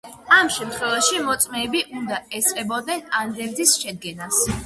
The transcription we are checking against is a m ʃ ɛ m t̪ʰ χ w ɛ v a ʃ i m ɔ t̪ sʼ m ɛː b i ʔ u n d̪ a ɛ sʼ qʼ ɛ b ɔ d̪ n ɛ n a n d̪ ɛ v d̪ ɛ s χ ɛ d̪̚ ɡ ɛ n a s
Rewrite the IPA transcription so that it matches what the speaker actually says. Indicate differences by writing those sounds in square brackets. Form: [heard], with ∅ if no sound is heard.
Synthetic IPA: a m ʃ ɛ m t̪ʰ χ w ɛ v a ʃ i m ɔ t̪ sʼ m ɛː b i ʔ u n d̪ a ɛ sʼ qʼ ɛ b ɔ d̪ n ɛ n a n d̪ ɛ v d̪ [i] s [ʃ] ɛ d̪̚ ɡ ɛ n a s